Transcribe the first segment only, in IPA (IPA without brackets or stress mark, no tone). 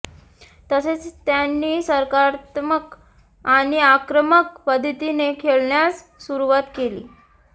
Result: t̪